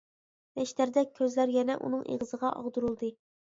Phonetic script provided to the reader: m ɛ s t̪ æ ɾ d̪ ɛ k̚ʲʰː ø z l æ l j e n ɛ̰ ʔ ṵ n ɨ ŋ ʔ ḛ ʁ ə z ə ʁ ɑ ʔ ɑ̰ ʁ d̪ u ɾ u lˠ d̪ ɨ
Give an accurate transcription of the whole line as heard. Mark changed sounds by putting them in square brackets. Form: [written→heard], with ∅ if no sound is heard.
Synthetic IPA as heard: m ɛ [s→ʃ] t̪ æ ɾ d̪ ɛ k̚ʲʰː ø z l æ [l→ɾ] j [e→ɛ] n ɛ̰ ʔ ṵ n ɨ ŋ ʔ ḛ ʁ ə z ə ʁ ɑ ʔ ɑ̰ ʁ d̪ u ɾ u lˠ d̪ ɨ